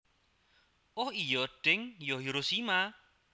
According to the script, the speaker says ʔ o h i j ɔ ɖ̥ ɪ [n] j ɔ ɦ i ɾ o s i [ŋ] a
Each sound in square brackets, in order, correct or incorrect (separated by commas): incorrect, incorrect